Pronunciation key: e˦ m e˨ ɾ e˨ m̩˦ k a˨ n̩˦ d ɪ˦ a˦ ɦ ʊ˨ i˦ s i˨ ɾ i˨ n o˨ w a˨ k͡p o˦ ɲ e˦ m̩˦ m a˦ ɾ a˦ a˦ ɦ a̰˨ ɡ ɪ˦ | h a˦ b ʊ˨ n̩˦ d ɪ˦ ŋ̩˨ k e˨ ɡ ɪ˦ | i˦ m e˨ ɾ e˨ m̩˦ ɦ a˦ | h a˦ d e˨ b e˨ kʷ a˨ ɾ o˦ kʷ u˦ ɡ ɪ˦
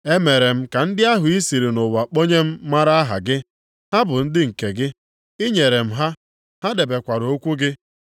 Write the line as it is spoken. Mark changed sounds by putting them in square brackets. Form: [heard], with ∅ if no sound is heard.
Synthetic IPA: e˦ m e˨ ɾ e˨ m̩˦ k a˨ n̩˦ d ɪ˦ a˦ ɦ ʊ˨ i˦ s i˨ ɾ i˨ n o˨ w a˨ k͡p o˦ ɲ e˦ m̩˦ m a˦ ɾ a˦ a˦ ɦ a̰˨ ɡ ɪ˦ | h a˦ b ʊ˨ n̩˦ d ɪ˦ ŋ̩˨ k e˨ ɡ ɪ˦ | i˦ [ɲ] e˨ ɾ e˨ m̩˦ ɦ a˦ | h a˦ d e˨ b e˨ kʷ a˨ ɾ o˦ kʷ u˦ ɡ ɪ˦